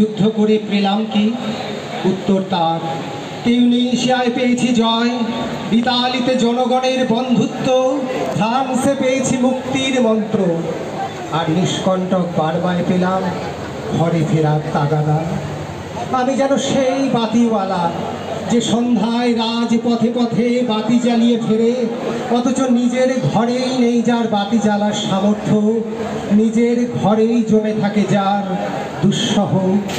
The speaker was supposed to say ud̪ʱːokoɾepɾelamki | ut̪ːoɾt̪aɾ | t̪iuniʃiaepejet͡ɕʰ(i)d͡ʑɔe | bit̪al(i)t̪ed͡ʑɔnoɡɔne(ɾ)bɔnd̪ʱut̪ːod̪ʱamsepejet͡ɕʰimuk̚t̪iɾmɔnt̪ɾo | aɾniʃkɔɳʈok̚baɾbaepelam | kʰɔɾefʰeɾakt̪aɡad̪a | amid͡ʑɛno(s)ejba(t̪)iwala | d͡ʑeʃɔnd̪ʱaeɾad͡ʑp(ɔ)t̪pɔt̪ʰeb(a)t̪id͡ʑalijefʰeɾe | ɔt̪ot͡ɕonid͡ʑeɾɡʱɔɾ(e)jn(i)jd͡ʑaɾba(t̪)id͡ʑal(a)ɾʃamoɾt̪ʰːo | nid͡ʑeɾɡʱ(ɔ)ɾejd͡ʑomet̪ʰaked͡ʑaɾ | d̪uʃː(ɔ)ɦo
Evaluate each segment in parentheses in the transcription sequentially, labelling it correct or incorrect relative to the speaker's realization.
correct, correct, correct, incorrect: ʃ, correct, correct, correct, correct, incorrect: e, correct, correct, correct, correct

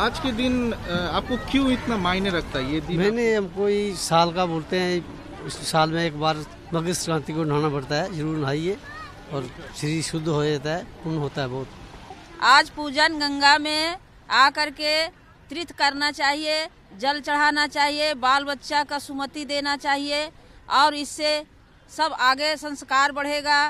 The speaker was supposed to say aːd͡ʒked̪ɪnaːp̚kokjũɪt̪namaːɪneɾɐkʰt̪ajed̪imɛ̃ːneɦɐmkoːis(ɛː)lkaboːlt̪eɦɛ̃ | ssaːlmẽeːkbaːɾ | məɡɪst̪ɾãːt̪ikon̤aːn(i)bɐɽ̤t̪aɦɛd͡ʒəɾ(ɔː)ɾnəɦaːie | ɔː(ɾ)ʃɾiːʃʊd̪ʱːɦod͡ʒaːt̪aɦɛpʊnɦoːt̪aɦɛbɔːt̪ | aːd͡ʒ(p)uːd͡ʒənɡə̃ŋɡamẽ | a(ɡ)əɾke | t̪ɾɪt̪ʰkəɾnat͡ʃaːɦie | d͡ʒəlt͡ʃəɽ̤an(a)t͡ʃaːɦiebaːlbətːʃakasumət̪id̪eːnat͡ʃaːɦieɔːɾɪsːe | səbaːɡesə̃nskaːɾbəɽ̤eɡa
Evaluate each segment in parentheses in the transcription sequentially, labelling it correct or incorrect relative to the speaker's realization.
incorrect: aː, incorrect: a, incorrect: uː, correct, correct, incorrect: k, correct

